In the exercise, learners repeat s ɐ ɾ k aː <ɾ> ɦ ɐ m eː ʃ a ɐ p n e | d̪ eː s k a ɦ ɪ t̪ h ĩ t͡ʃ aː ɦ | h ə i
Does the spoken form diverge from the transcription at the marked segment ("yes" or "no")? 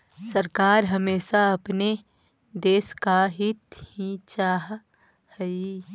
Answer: no